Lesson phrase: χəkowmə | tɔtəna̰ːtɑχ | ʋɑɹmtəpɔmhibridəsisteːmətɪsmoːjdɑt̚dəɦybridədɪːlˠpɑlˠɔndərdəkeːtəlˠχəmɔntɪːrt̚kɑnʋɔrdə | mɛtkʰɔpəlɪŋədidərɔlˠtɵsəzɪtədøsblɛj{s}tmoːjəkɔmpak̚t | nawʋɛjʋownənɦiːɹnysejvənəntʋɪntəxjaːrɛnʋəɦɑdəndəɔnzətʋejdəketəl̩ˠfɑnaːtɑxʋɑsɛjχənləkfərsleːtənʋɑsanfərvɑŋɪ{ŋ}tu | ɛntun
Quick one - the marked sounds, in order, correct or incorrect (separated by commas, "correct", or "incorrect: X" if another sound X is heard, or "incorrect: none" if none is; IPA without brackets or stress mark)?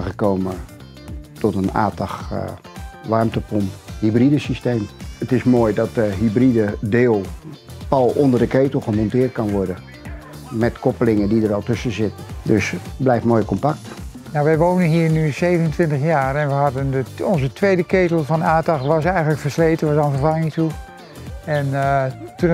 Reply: incorrect: f, correct